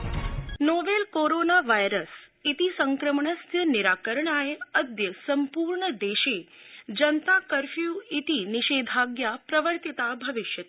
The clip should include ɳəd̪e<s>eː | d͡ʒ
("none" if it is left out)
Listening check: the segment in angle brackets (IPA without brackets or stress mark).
ʃ